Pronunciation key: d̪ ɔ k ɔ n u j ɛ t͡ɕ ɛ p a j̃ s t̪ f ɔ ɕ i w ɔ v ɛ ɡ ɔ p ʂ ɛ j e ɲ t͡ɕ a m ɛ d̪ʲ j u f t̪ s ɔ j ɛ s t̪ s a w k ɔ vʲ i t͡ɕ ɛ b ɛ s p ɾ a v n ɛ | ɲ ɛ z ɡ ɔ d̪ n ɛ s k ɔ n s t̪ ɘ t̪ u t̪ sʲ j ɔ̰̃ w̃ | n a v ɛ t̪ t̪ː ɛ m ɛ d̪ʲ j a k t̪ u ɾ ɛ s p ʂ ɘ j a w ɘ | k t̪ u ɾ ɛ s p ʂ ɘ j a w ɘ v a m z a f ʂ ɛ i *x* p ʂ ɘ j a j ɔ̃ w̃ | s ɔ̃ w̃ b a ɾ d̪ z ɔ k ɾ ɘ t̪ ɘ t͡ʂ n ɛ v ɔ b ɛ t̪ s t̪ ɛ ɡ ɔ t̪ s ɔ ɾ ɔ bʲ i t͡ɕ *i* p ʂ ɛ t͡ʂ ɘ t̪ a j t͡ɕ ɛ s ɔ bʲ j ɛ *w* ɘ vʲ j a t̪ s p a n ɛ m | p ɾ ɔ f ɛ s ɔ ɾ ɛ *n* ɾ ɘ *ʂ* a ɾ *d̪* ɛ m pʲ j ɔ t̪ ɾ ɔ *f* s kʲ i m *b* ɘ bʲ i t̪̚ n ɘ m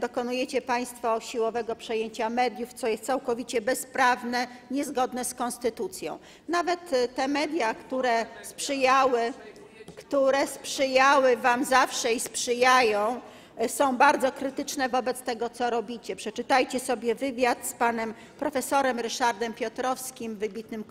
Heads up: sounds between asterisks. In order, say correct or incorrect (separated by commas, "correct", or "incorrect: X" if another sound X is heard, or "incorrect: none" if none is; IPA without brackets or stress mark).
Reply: incorrect: s, incorrect: ɛ, incorrect: v, incorrect: m, correct, correct, correct, incorrect: v